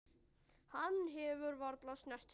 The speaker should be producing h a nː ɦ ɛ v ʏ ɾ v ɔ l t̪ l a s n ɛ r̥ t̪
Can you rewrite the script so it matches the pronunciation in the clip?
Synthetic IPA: h a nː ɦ ɛ v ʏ ɾ v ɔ ɾ t̪ l a s n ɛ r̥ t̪